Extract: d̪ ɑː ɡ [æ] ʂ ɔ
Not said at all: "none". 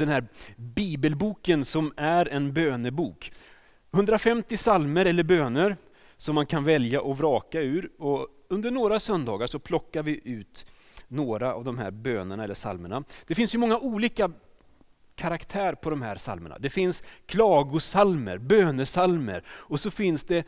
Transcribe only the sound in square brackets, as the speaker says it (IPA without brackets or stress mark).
a